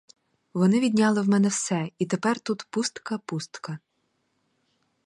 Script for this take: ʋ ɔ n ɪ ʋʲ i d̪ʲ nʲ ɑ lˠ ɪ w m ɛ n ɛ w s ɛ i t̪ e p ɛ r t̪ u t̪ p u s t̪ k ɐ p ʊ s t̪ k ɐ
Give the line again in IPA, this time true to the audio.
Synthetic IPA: ʋ ɔ n ɪ ʋʲ i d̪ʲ nʲ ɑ lˠ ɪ w m ɛ n ɛ w s ɛ i t̪ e p ɛ r t̪ u t̪ p u s t̪ k ɐ p u s t̪ k ɐ